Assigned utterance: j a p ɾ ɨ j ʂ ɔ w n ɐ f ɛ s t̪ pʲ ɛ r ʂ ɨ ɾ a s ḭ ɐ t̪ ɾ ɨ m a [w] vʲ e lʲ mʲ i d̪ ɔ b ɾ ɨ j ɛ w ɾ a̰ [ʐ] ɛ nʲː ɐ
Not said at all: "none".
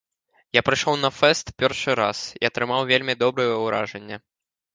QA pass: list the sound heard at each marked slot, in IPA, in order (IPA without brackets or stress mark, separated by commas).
w, ʐ